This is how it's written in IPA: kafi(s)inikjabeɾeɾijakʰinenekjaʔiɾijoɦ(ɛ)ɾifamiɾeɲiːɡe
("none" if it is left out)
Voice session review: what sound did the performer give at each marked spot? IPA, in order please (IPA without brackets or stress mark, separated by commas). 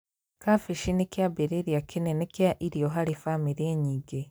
ʃ, a